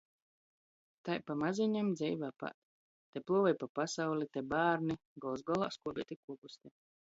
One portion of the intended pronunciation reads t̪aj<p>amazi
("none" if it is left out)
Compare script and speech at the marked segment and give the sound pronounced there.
p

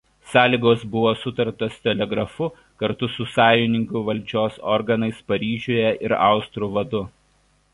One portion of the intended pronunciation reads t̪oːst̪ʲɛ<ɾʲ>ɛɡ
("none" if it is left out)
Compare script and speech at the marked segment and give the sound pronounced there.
lʲ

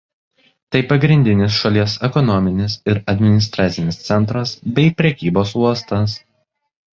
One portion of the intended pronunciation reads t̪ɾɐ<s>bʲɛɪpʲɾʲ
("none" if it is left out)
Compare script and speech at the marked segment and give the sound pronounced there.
s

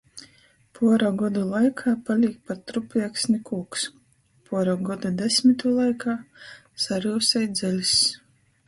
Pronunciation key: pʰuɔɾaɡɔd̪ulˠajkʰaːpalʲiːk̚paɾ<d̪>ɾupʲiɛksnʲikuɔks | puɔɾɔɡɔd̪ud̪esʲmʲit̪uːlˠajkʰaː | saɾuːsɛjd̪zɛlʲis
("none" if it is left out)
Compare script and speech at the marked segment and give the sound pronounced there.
t̪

